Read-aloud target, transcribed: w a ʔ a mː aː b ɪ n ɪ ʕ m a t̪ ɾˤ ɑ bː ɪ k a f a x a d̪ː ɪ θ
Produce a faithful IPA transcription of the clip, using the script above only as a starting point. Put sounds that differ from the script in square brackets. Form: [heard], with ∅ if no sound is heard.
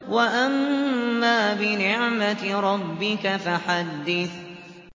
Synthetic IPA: w a ʔ a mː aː b ɪ n ɪ ʕ m a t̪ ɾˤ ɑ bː ɪ k a f a [ħ] a d̪ː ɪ θ